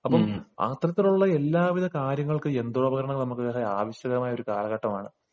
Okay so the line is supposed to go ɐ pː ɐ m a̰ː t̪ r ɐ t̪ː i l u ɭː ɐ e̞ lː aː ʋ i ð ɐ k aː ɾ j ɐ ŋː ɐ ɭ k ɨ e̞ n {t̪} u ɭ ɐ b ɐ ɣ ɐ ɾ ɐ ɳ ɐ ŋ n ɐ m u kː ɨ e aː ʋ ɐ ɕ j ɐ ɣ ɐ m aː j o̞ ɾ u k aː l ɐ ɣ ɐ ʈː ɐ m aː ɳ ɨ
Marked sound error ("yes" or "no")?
yes